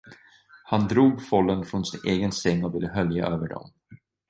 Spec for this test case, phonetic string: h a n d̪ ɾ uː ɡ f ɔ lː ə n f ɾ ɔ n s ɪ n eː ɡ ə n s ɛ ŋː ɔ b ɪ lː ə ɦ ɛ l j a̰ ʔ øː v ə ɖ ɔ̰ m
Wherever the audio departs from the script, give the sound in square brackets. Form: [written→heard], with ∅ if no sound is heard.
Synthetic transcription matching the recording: h a n d̪ ɾ uː ɡ f ɔ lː ə n f ɾ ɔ n s ɪ n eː ɡ ə n s ɛ ŋː ɔ [b→v] ɪ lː ə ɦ [ɛ→œ] l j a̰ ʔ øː v ə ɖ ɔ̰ m